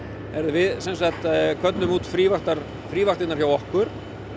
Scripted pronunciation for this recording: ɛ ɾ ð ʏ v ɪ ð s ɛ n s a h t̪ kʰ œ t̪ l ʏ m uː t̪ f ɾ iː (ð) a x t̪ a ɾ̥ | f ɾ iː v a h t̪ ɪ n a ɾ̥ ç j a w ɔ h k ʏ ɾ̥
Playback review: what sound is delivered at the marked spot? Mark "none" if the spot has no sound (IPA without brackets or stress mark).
v